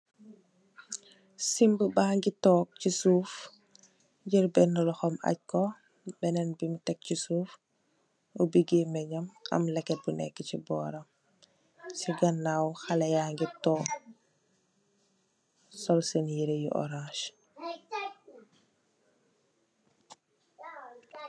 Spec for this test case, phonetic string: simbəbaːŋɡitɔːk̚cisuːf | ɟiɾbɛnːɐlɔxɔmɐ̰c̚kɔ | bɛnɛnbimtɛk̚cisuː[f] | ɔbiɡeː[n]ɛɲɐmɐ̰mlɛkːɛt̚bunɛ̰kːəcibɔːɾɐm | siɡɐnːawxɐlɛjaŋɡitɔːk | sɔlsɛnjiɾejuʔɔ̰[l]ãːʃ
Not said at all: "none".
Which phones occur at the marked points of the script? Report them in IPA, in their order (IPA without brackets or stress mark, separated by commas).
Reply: f, m, ɾ